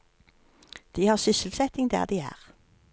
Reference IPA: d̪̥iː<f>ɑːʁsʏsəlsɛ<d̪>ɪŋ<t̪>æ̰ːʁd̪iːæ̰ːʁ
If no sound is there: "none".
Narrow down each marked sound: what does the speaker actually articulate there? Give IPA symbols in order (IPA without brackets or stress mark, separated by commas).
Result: h, t̪, d̪